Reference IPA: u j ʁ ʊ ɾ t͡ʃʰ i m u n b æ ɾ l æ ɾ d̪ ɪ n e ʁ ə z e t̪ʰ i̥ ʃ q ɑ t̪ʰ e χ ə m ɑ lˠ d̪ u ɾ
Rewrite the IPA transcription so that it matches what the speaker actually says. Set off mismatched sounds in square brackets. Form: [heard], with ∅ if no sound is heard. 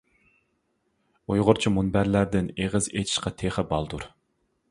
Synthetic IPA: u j ʁ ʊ ɾ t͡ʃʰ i m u n b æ ɾ l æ ɾ d̪ ɪ n e ʁ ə z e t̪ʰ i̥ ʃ q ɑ t̪ʰ e χ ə [b] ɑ lˠ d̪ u ɾ